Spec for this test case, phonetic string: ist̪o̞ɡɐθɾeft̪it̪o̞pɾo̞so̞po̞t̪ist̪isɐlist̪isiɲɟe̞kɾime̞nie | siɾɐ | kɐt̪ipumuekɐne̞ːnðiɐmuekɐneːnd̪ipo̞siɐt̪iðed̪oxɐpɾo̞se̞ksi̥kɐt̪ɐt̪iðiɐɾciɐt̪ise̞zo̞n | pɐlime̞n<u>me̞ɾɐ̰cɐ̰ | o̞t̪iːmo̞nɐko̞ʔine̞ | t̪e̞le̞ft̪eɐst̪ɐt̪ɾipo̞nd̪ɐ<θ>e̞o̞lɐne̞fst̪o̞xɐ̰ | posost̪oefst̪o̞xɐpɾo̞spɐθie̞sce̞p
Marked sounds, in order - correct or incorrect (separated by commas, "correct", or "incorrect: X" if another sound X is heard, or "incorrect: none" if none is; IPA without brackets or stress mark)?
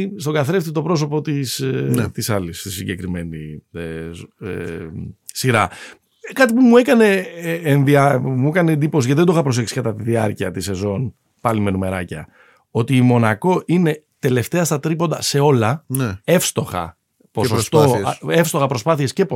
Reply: correct, incorrect: s